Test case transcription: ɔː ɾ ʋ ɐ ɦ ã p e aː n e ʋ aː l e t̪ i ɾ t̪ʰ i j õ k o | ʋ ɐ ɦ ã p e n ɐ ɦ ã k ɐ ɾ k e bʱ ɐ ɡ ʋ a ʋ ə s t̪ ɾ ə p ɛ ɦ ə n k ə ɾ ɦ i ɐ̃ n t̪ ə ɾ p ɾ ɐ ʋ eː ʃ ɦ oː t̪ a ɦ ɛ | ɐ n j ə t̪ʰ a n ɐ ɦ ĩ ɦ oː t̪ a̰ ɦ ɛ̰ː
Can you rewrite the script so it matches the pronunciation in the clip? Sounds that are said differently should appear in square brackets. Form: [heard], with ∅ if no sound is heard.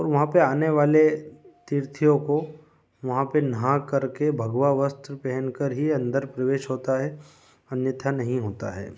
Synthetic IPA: ɔː ɾ ʋ ɐ ɦ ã p e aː n e ʋ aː l e t̪ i ɾ t̪ʰ i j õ k o | ʋ ɐ ɦ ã p e n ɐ ɦ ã k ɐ ɾ k e bʱ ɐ ɡ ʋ a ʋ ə s t̪ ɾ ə p ɛ ɦ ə n k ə ɾ ɦ i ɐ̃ n [d̪] ə ɾ p ɾ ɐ ʋ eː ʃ ɦ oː t̪ a ɦ ɛ | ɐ n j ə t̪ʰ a n ɐ ɦ ĩ ɦ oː t̪ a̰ ɦ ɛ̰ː